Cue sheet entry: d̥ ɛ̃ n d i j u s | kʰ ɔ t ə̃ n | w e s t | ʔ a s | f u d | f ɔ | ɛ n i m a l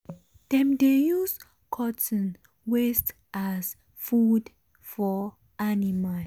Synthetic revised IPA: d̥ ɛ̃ m d e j u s | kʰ ɔ t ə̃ n | w e s t | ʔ a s | f u d | f ɔ | a n i m a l